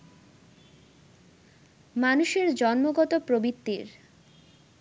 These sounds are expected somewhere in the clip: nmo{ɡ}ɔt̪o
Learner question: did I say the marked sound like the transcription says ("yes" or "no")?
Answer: yes